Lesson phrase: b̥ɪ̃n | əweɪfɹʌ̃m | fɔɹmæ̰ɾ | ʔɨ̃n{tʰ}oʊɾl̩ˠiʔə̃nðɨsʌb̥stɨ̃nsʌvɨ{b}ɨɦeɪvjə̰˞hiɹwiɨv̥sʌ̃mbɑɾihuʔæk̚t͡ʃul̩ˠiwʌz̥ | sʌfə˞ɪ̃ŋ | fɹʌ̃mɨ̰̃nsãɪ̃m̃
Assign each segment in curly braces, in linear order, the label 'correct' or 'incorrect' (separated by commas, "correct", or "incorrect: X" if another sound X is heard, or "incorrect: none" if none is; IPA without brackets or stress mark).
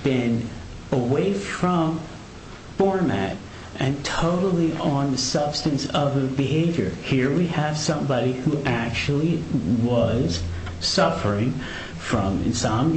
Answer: correct, correct